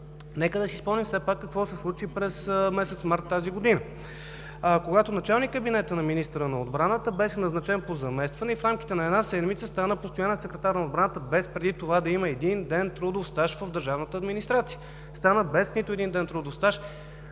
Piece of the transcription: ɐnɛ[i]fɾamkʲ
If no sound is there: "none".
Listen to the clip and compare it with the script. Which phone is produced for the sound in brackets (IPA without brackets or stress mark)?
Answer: i